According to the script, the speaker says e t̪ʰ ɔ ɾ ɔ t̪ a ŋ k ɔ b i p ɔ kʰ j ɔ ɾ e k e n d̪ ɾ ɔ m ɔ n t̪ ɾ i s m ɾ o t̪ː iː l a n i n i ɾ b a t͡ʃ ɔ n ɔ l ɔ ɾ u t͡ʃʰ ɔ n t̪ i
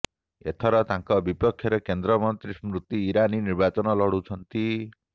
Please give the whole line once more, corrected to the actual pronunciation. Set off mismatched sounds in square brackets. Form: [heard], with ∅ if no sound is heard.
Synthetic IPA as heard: e t̪ʰ ɔ ɾ ɔ t̪ a ŋ k ɔ b i p ɔ kʰ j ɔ ɾ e k e n d̪ ɾ ɔ m ɔ n t̪ ɾ i s m ɾ [u] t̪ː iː [ɾ] a n i n i ɾ b a t͡ʃ ɔ n ɔ l ɔ [ɽ] u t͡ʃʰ ɔ n t̪ i

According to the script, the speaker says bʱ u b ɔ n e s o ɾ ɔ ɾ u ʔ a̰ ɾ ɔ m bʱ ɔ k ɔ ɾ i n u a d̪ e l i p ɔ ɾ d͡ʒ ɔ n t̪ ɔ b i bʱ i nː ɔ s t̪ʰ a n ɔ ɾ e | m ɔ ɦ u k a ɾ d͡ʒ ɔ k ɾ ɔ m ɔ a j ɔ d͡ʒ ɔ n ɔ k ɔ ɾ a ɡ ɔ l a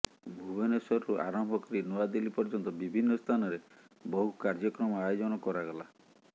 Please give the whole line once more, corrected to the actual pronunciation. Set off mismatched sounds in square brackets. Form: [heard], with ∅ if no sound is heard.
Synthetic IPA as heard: bʱ u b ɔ n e s [ɔ] ɾ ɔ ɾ u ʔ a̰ ɾ ɔ m bʱ ɔ k ɔ ɾ i n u a d̪ e l i p ɔ ɾ d͡ʒ ɔ n t̪ ɔ b i bʱ i nː ɔ s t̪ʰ a n ɔ ɾ e | [b] ɔ ɦ u k a ɾ d͡ʒ ɔ k ɾ ɔ m ɔ a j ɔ d͡ʒ ɔ n ɔ k ɔ ɾ a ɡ ɔ l a

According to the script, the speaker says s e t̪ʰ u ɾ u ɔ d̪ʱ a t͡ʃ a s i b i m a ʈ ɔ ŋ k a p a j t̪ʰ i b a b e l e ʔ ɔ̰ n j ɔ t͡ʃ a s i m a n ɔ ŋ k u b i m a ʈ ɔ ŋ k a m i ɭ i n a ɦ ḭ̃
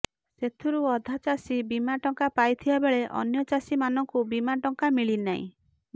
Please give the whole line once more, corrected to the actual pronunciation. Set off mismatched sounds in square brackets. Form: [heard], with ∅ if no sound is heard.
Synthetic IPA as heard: s e t̪ʰ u ɾ u ɔ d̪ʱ a t͡ʃ a s i b i m a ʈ ɔ ŋ k a p a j t̪ʰ i b a b e [ɭ] e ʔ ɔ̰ n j ɔ t͡ʃ a s i m a n ɔ ŋ k u b i m a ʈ ɔ ŋ k a m i ɭ i n a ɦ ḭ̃

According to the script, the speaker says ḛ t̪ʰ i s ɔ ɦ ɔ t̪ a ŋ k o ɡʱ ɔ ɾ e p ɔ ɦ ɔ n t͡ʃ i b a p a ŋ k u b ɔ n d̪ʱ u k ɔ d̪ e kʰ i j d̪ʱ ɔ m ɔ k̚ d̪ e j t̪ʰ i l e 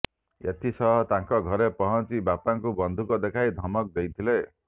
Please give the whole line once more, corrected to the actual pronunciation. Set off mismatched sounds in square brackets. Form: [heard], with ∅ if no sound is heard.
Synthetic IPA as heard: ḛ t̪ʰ i s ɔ ɦ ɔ t̪ a ŋ k [ɔ] ɡʱ ɔ ɾ e p ɔ ɦ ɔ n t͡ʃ i b a p a ŋ k u b ɔ n d̪ʱ u k ɔ d̪ e kʰ [a] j d̪ʱ ɔ m ɔ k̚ d̪ e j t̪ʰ i l e

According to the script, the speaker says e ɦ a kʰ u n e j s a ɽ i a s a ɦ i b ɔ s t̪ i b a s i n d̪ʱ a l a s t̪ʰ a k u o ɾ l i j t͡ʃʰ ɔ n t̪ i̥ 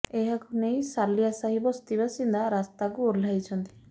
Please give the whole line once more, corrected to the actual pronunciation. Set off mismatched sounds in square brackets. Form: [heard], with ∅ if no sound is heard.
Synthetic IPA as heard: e ɦ a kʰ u n e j s a [l] i a s a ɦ i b ɔ s t̪ i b a s i n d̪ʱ a [ɾ] a s [t̪] a k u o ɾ l [a] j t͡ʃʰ ɔ n t̪ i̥

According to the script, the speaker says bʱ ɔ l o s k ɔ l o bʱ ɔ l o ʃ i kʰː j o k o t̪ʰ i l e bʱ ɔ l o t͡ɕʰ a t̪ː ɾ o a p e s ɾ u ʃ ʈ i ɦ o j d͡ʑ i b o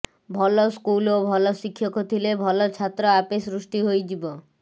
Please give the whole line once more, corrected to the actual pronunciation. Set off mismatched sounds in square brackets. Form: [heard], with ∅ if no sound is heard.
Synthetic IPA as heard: bʱ ɔ l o s k [u] l o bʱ ɔ l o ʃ i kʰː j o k o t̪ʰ i l e bʱ ɔ l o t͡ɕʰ a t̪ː ɾ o a p e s ɾ u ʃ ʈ i ɦ o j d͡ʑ i b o

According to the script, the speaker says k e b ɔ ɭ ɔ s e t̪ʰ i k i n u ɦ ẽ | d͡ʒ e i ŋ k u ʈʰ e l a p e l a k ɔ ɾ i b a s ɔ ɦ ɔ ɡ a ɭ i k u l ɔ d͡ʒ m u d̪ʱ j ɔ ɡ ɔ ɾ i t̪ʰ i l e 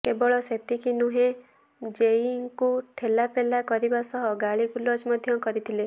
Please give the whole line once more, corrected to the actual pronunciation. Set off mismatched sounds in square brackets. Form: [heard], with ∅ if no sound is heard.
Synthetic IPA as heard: k e b ɔ ɭ ɔ s e [t̪] i k i n u ɦ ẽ | d͡ʒ e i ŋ k u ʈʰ e l a p e l a k ɔ ɾ i b a s ɔ ɦ ɔ ɡ a ɭ i k u l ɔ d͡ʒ m [ɔ] d̪ʱ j ɔ [k] ɔ ɾ i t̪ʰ i l e

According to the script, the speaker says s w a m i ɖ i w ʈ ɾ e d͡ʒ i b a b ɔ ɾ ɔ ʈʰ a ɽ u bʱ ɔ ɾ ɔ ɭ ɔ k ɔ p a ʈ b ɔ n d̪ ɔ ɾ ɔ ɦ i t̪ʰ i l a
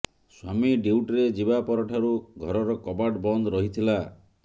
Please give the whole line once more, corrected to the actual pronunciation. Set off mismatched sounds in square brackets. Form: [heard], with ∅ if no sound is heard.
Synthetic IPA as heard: s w a m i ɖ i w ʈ ɾ e d͡ʒ i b a [p] ɔ ɾ ɔ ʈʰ a [ɾ] u [ɡʱ] ɔ ɾ ɔ [ɾ] ɔ k ɔ [b] a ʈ b ɔ n d̪ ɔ ɾ ɔ ɦ i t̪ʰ i l a

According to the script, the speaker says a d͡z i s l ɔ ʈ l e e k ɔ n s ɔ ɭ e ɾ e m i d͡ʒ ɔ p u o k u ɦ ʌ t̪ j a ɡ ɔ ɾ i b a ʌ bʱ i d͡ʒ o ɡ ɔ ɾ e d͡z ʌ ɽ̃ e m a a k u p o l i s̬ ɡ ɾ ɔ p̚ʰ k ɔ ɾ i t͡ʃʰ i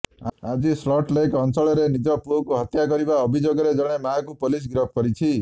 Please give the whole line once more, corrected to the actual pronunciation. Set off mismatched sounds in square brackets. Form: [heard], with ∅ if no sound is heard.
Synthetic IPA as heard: a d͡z i s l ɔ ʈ l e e k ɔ n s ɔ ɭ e ɾ e [n] i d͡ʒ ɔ p u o k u ɦ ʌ t̪ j a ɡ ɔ ɾ i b a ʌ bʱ i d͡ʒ o ɡ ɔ ɾ e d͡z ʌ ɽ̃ e m a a k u p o l i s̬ ɡ ɾ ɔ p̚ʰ k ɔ ɾ i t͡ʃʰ i

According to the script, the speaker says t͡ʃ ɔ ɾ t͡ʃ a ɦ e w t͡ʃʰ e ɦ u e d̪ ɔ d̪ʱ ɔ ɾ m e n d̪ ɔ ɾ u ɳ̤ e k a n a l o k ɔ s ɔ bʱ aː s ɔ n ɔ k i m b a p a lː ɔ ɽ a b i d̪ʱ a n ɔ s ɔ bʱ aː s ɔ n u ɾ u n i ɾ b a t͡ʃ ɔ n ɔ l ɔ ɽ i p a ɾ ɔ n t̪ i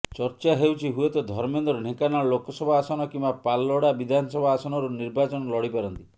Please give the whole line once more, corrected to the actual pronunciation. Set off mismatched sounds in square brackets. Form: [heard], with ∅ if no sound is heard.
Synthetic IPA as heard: t͡ʃ ɔ ɾ t͡ʃ a ɦ e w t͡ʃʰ [i] ɦ u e [t̪] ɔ d̪ʱ ɔ ɾ m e n d̪ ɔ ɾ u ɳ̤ e k a n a l o k ɔ s ɔ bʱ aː s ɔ n ɔ k i m b a p a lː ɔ ɽ a b i d̪ʱ a n ɔ s ɔ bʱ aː s ɔ n [ɔ] ɾ u n i ɾ b a t͡ʃ ɔ n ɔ l ɔ ɽ i p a ɾ ɔ n t̪ i

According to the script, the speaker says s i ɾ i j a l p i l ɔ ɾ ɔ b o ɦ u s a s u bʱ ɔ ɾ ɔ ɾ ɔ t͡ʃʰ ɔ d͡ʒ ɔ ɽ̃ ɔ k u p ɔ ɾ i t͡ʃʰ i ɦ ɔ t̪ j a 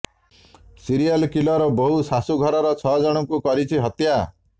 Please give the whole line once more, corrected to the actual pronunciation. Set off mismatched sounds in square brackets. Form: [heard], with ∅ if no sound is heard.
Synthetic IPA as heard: s i ɾ i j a l [k] i l ɔ ɾ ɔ b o ɦ u s a s u [ɡʱ] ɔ ɾ ɔ ɾ ɔ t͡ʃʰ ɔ d͡ʒ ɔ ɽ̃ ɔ k u [k] ɔ ɾ i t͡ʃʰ i ɦ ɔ t̪ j a

